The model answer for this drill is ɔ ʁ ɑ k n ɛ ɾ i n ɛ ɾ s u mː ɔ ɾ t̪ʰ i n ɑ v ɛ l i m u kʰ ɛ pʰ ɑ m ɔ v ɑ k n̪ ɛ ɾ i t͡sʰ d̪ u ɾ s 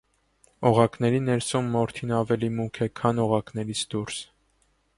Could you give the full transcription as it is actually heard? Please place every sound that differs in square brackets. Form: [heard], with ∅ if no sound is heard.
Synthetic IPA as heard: ɔ ʁ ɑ k n ɛ ɾ i n ɛ ɾ s u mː ɔ ɾ t̪ʰ i n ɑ v ɛ l i m u kʰ ɛ [kʰ] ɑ [n] ɔ [ʁ] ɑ k n̪ ɛ ɾ i t͡sʰ d̪ u ɾ s